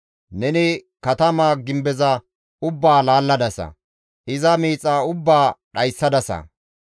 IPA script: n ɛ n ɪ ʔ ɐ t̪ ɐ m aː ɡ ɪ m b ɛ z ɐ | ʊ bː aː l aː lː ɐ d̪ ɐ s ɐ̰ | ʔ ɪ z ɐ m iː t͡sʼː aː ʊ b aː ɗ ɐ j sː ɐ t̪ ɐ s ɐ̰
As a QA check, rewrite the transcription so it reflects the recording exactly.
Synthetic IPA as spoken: n ɛ n ɪ k ɐ t̪ ɐ m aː ɡ ɪ m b ɛ z ɐ | ʊ bː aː l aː lː ɐ d̪ ɐ s ɐ̰ | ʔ ɪ z ɐ m iː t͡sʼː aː ʊ bː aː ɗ ɐ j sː ɐ d̪ ɐ s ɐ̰

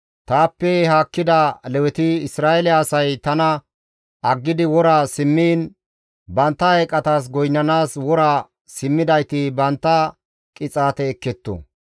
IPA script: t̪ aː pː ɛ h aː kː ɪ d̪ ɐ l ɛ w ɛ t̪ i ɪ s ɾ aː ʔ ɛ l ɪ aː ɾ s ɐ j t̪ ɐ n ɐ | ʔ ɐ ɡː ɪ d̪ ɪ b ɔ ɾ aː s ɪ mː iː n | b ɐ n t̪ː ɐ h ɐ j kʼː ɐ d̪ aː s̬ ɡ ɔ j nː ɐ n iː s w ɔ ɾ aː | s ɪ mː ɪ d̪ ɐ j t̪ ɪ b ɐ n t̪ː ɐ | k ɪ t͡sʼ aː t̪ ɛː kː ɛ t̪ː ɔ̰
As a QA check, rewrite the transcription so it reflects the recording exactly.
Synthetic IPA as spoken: t̪ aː pː ɛ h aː kː ɪ d̪ ɐ l ɛ w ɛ t̪ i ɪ s ɾ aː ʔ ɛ l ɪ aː s ɐ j t̪ ɐ n ɐ | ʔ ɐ ɡː ɪ d̪ ɪ w ɔ ɾ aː s ɪ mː iː n | b ɐ n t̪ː ɐ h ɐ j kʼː ɐ t̪ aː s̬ ɡ ɔ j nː ɐ n aː s w ɔ ɾ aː | s ɪ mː ɪ d̪ ɐ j t̪ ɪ b ɐ n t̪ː ɐ | kʼ ɪ t͡sʼ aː t̪ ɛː kː ɛ t̪ː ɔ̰

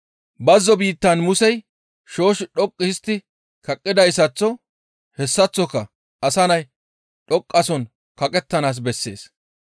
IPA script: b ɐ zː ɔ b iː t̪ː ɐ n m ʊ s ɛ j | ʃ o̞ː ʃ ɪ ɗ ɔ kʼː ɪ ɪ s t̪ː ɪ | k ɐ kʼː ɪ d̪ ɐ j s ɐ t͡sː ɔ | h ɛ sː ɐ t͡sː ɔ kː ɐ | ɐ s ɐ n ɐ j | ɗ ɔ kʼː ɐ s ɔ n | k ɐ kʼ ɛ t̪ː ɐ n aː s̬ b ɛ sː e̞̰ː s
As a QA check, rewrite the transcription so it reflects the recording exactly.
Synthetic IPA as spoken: b ɐ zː ɔ b iː t̪ː ɐ n m ʊ s ɛ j | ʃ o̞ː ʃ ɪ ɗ ɔ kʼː ɪ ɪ s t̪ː ɪ | k ɐ kʼː ɪ d̪ ɐ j s ɐ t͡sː ɔ | h ɛ sː ɐ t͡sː ɔ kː ɐ | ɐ s ɐ n ɐ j | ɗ ɔ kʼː ɐ s ɔ n | k ɐ kʼ ɛ t̪ː ɐ n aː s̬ b ɛ sː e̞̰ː s

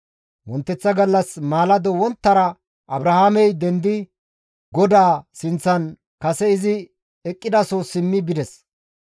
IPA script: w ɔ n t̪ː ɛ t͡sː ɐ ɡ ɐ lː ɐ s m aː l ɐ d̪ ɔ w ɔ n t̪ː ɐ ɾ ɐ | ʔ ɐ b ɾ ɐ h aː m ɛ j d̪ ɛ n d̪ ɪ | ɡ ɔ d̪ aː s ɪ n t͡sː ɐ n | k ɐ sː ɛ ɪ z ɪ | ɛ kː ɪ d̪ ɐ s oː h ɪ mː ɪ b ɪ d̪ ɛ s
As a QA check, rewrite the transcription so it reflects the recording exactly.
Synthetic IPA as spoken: w ɔ n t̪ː ɛ t͡sː ɐ ɡ ɐ lː ɐ s m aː l ɐ d̪ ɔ w ɔ n t̪ː ɐ ɾ ɐ | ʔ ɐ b ɾ ɐ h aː m ɛ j d̪ ɛ n d̪ ɪ | ɡ ɔ d̪ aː s ɪ n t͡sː ɐ n | k ɐ s ɛ ɪ z ɪ | ɛ kʼː ɪ d̪ ɐ s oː s ɪ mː ɪ b ɪ d̪ ɛ s

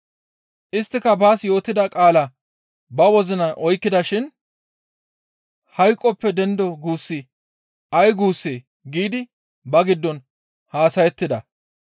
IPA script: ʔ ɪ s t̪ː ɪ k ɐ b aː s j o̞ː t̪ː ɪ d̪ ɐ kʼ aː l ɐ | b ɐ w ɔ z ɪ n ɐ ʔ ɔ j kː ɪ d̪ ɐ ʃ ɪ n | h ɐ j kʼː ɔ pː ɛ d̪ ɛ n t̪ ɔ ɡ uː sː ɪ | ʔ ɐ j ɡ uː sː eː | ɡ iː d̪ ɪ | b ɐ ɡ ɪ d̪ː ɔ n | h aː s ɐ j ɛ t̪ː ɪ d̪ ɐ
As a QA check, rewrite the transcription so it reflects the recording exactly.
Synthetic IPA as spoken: ʔ ɪ s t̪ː ɪ k ɐ b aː s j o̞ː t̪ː ɪ d̪ ɐ kʼ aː l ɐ | b ɐ w ɔ z ɪ n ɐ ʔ ɔ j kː ɪ d̪ ɐ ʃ ɪ n | h ɐ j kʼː ɔ pː ɛ d̪ ɛ n d̪ ɔ ɡ uː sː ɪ | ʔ ɐ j ɡ uː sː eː | ɡ iː d̪ ɪ | b ɐ ɡ ɪ d̪ː ɔ n | h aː s ɐ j ɛ t̪ː ɪ d̪ ɐ

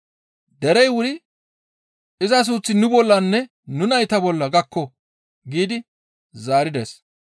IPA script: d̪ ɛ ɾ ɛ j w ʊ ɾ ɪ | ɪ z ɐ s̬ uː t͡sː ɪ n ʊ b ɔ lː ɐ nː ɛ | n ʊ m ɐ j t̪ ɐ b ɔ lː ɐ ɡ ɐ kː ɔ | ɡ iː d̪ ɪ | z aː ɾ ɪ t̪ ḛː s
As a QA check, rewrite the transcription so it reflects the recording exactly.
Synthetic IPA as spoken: d̪ ɛ ɾ ɛ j w ʊ ɾ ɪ | ɪ z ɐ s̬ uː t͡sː ɪ n ʊ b ɔ lː ɐ nː ɛ | n ʊ n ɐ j t̪ ɐ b ɔ lː ɐ ɡ ɐ kː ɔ | ɡ iː d̪ ɪ | z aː ɾ ɪ d̪ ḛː s

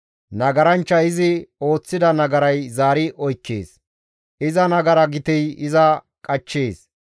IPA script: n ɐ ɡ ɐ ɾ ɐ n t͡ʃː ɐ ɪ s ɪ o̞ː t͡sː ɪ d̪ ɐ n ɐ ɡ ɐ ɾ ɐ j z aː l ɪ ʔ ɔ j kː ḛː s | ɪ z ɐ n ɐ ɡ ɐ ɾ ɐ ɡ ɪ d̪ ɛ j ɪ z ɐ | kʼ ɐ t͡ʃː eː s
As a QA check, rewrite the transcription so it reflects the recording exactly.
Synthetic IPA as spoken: n ɐ ɡ ɐ ɾ ɐ n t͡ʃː ɐ ɪ z ɪ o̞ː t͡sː ɪ d̪ ɐ n ɐ ɡ ɐ ɾ ɐ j z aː ɾ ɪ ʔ ɔ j kː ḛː s | ɪ z ɐ n ɐ ɡ ɐ ɾ ɐ ɡ ɪ t̪ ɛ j ɪ z ɐ | kʼ ɐ t͡ʃː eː s

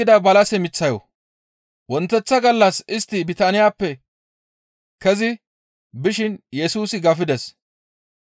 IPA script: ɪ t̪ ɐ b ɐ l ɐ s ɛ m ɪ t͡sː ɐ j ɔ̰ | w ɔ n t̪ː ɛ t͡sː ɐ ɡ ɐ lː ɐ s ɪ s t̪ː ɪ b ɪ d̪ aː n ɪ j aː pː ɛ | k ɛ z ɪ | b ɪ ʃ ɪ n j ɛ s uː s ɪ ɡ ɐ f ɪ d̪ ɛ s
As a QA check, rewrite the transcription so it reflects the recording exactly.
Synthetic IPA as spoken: ɪ d̪ ɐ b ɐ l ɐ s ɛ m ɪ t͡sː ɐ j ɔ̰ | w ɔ n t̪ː ɛ t͡sː ɐ ɡ ɐ lː ɐ s ɪ s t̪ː ɪ b ɪ t̪ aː n ɪ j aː pː ɛ | k ɛ z ɪ | b ɪ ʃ ɪ n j ɛ s uː s ɪ ɡ ɐ f ɪ d̪ ɛ s

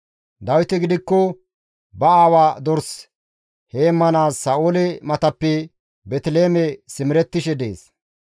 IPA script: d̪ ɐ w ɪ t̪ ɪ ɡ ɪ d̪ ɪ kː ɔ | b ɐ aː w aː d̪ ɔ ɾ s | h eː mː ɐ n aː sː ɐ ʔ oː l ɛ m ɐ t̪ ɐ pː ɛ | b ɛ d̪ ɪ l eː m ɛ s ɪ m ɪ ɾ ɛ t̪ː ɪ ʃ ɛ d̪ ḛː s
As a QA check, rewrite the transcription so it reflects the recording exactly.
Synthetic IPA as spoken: d̪ ɐ w ɪ t̪ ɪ ɡ ɪ d̪ ɪ kː ɔ | b ɐ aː w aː d̪ ɔ ɾ s | h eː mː ɐ n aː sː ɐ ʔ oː l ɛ m ɐ t̪ ɐ pː ɛ | b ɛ t̪ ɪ l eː m ɛ s ɪ m ɪ ɾ ɛ t̪ː ɪ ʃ ɛ d̪ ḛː s

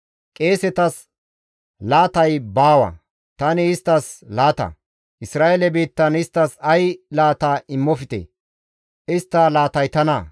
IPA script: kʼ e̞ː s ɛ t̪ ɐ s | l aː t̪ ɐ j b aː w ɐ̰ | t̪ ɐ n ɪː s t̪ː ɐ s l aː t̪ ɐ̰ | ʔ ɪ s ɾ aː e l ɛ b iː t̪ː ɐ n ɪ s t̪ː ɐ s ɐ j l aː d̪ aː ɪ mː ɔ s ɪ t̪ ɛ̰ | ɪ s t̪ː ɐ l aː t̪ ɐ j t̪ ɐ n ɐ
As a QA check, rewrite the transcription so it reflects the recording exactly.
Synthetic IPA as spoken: kʼ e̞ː s ɛ t̪ ɐ s | l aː t̪ ɐ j b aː w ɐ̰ | t̪ ɐ n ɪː s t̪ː ɐ s l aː t̪ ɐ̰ | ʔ ɪ s ɾ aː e l ɛ b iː t̪ː ɐ n ɪ s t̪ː ɐ s ɐ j l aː t̪ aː ɪ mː ɔ f ɪ t̪ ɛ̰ | ɪ s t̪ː ɐ l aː t̪ ɐ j t̪ ɐ n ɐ

